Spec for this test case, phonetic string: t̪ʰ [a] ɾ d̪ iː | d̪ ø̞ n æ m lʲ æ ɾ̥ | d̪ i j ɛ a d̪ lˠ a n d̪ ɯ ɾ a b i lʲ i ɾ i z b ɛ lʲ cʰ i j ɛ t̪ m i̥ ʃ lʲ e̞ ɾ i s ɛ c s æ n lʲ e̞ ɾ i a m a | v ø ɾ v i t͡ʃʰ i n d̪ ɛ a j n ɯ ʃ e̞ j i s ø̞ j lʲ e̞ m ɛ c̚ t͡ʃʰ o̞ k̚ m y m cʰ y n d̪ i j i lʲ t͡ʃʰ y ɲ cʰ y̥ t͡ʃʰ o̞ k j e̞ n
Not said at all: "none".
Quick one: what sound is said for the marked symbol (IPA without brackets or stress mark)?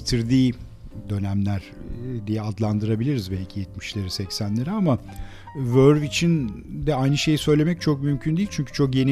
i